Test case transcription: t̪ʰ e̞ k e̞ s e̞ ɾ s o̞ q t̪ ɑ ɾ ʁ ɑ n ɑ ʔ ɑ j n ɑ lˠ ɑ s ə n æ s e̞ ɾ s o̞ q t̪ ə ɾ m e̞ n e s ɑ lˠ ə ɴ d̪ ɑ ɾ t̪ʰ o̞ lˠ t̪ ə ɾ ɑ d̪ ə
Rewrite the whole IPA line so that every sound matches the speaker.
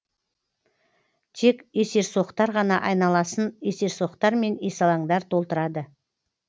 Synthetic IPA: t̪ʰ e̞ k e̞ s e̞ ɾ s o̞ q t̪ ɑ ɾ ʁ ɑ n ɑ ʔ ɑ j n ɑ lˠ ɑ s ə n e s e̞ ɾ s o̞ q t̪ ɑ ɾ m e̞ n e s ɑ lˠ ɑ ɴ d̪ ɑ ɾ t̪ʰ o̞ lˠ t̪ ə ɾ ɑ d̪ ə